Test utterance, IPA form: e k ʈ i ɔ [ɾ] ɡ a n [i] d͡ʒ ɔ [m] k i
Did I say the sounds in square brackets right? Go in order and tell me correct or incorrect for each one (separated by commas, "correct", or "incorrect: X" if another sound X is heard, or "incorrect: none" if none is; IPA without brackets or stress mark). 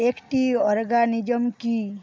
correct, correct, correct